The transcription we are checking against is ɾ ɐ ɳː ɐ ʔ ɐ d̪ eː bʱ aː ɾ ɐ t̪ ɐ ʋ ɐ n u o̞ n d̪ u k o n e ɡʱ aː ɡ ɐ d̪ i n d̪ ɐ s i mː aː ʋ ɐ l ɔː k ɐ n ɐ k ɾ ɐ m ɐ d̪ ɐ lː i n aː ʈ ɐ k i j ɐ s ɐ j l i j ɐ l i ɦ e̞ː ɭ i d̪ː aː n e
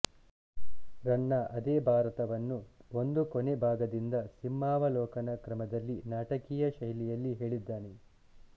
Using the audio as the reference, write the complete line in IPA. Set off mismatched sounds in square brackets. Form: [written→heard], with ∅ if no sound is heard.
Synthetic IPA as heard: ɾ ɐ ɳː ɐ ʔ ɐ d̪ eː bʱ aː ɾ ɐ t̪ ɐ ʋ ɐ [n→nː] u o̞ n d̪ u k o n e [ɡʱ→bʱ] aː ɡ ɐ d̪ i n d̪ ɐ s i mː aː ʋ ɐ l ɔː k ɐ n ɐ k ɾ ɐ m ɐ d̪ ɐ lː i n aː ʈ ɐ k i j ɐ [s→ʃ] ɐ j l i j ɐ [l→lː] i ɦ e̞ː ɭ i d̪ː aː n e